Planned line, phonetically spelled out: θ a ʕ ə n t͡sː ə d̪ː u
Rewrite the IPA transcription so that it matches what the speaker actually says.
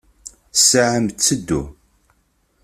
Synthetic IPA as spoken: s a ʕ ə m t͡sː ə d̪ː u